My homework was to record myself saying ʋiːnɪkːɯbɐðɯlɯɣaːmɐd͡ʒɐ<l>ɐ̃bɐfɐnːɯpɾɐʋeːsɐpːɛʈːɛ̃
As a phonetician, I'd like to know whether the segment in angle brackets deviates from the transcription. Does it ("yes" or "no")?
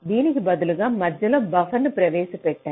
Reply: no